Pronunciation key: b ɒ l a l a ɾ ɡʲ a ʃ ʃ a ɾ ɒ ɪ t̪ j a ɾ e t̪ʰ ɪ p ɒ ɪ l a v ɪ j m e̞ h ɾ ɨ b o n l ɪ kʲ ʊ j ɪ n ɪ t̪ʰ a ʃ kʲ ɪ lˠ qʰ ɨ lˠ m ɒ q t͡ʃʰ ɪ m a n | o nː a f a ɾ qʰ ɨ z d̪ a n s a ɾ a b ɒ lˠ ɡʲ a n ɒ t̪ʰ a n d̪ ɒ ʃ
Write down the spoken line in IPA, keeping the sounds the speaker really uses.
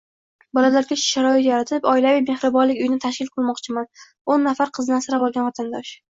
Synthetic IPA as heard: b ɒ l a l a ɾ ɡʲ a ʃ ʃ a ɾ ɒ ɪ t̪ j a ɾ a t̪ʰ ɪ p ɒ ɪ l a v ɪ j m e̞ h ɾ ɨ b ɒ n l ɪ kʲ ʊ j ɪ n ɪ t̪ʰ a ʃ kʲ ɪ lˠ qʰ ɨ lˠ m ɒ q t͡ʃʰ ɪ m a n | o nː a f a ɾ qʰ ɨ z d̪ a n s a ɾ a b ɒ lˠ ɡʲ a n ɒ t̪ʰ a n d̪ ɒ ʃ